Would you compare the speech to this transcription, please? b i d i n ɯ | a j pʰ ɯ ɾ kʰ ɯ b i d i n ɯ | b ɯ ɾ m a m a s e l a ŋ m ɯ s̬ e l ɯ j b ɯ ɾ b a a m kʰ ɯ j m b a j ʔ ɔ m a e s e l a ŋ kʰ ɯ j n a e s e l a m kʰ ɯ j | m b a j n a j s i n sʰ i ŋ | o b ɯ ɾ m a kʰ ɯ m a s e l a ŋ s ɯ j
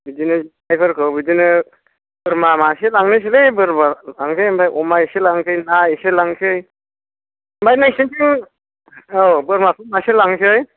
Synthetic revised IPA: b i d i n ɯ | a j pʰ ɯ ɾ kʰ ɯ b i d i n ɯ | b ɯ ɾ m a m a s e l a ŋ n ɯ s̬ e l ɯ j b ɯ ɾ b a a ŋ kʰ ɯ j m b a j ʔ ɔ m a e s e l a ŋ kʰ ɯ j n a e s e l a ŋ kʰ ɯ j | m b a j n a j s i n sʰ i ŋ | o b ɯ ɾ m a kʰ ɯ m a s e l a ŋ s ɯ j

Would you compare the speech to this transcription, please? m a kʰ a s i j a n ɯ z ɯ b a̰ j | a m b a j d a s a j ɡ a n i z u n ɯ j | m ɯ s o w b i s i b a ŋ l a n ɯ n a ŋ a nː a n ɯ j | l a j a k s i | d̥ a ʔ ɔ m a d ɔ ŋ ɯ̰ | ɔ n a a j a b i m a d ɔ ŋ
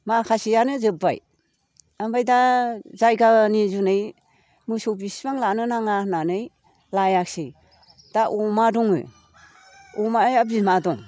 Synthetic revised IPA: m a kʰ a s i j a n ɯ z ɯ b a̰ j | a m b a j d a z a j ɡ a n i z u n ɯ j | m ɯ s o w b i s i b a ŋ l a n ɯ n a ŋ a n a n ɯ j | l a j a k s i | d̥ a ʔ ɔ m a d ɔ ŋ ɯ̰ | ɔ m a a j a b i m a d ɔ ŋ

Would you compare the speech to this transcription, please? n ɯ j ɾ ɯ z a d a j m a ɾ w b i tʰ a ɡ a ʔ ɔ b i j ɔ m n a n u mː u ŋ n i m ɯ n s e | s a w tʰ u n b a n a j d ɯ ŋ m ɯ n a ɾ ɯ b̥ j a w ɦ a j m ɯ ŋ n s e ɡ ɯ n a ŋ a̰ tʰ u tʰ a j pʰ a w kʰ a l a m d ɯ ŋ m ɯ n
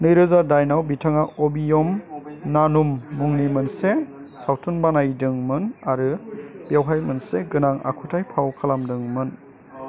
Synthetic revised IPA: n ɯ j ɾ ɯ z a d a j n a w b i tʰ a ŋ a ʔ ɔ b i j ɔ m n a n u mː u ŋ n i m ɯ n s e | s a w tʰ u n b a n a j d ɯ ŋ m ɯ n a ɾ ɯ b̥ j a w ɦ a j m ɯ n s e ɡ ɯ n a ŋ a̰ kʰ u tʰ a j pʰ a w kʰ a l a m d ɯ ŋ m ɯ n

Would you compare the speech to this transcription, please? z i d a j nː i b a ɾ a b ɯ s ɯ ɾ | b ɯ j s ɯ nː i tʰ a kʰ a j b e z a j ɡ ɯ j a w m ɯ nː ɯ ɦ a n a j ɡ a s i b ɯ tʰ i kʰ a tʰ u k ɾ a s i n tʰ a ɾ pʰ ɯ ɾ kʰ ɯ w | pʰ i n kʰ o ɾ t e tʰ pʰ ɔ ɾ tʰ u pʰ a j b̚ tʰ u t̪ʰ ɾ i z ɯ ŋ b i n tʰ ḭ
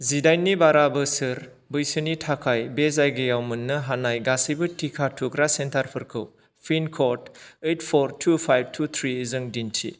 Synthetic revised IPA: z i d a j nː i b a ɾ a b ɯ s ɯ ɾ | b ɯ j s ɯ n i tʰ a kʰ a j b e z a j ɡ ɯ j a w m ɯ nː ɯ ɦ a n a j ɡ a s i b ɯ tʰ i kʰ a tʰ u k ɾ a s e n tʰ a ɾ pʰ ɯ ɾ kʰ ɯ w | pʰ i n kʰ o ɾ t e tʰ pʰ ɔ ɾ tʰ u pʰ a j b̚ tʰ u t̪ʰ ɾ i z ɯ ŋ d i n tʰ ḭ

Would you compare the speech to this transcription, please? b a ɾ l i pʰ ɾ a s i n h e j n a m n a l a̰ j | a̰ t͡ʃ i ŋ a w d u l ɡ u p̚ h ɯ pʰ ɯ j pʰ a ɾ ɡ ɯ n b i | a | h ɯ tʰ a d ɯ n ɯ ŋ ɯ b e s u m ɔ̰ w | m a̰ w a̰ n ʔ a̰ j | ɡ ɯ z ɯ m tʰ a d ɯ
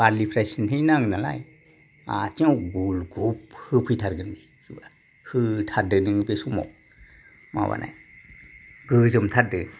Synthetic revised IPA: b a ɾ l i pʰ ɾ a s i n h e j n a ŋ n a l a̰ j | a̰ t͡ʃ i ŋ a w ɡ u l ɡ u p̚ h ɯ pʰ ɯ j tʰ a ɾ ɡ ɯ n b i | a | h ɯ tʰ a d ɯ n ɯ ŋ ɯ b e s u m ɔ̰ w | m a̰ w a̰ n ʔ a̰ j | ɡ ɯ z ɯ m tʰ a d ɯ

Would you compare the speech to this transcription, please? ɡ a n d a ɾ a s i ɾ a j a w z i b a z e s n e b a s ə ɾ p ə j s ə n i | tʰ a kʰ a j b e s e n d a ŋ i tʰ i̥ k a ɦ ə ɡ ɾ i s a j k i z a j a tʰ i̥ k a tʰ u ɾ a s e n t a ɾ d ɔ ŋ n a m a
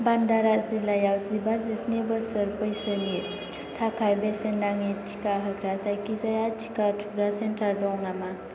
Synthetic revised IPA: b a n d a ɾ a z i l a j a w z i b a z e s n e b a s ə ɾ p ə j s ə n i | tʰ a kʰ a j b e s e n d a ŋ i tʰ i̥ k a ɦ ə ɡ ɾ a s a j k i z a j a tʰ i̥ k a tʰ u ɾ a s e n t a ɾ d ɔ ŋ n a m a

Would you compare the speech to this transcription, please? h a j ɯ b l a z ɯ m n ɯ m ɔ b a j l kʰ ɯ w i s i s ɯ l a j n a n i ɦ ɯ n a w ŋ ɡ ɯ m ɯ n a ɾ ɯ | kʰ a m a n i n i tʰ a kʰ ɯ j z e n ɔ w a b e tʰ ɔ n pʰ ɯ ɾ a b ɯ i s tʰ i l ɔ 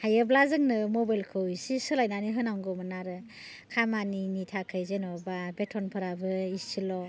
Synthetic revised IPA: h a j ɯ b l a z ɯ ŋ n ɯ m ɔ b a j l kʰ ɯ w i s i s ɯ l a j n a n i ɦ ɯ n a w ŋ ɡ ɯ m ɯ n a ɾ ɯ | kʰ a m a n i n i tʰ a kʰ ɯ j z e n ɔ b a b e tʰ ɔ n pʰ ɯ ɾ a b ɯ i s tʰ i l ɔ

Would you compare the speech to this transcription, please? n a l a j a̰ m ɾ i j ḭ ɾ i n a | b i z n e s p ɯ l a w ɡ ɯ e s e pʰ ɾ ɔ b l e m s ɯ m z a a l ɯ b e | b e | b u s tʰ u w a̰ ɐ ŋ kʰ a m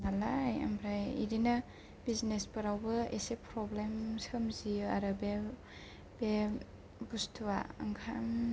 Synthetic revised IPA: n a l a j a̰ m ɾ a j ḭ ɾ i n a | b i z n e s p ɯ ɾ a w b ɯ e s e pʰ ɾ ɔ b l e m s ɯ m z i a ɾ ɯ b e | b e | b u s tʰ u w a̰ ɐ ŋ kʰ a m

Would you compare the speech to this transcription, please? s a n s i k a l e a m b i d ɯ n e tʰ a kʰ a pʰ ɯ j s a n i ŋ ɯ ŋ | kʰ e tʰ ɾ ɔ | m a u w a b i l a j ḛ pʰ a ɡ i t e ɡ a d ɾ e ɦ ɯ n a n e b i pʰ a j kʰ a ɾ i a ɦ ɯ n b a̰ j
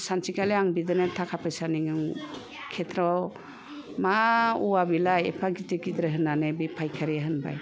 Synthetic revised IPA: s a n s i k a l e a ŋ b i d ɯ n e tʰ a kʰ a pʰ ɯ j s a n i ŋ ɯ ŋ | kʰ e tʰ ɾ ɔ | m a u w a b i l a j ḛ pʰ a ɡ i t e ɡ i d ɾ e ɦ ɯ n a n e b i pʰ a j kʰ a ɾ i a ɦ ɯ n b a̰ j

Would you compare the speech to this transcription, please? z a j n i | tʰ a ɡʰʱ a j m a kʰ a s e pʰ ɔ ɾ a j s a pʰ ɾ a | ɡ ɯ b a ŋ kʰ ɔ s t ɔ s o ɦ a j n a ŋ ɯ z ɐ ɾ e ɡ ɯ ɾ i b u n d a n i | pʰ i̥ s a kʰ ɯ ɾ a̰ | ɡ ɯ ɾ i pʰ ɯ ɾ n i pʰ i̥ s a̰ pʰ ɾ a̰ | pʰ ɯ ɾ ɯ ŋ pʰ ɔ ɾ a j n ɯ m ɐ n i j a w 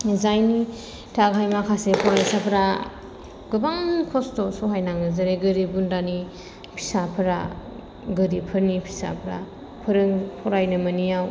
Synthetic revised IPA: z a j n i | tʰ a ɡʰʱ a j m a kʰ a s e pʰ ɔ ɾ a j s a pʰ ɾ a | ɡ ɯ b a ŋ kʰ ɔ s t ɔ s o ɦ a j n a ŋ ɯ z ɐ ɾ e ɡ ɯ ɾ i b u n d a n i | pʰ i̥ s a pʰ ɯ ɾ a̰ | ɡ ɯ ɾ i pʰ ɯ ɾ n i pʰ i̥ s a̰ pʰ ɾ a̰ | pʰ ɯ ɾ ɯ ŋ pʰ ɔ ɾ a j n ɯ m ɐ n i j a w

